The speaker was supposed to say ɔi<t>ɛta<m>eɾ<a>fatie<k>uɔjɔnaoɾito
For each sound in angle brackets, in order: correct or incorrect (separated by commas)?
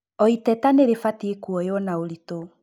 correct, incorrect, incorrect, correct